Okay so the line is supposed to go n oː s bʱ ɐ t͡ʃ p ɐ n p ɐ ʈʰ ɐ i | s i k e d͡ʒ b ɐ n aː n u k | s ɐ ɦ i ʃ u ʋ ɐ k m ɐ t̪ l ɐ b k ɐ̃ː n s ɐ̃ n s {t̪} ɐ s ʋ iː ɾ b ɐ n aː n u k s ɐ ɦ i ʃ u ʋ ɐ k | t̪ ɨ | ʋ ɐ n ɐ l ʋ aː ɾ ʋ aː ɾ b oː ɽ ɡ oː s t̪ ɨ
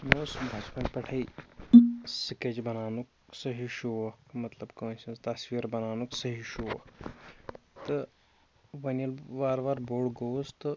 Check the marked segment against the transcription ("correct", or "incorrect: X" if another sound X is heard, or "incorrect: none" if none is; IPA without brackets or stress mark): correct